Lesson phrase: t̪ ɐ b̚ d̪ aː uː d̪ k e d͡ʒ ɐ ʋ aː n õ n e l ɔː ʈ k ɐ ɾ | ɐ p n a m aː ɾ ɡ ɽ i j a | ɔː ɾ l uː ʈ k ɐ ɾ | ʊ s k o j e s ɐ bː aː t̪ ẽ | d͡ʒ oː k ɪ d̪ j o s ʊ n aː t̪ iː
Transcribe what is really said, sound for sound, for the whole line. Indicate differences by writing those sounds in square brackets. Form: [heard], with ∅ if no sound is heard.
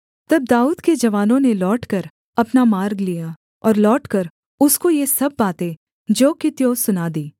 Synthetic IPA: t̪ ɐ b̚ d̪ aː uː d̪ k e d͡ʒ ɐ ʋ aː n õ n e l ɔː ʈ k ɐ ɾ | ɐ p n a m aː ɾ ɡ [l] i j a | ɔː ɾ l [ɔː] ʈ k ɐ ɾ | ʊ s k o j e s ɐ bː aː t̪ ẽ | d͡ʒ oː k ɪ [t̪] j o s ʊ n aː [d̪] iː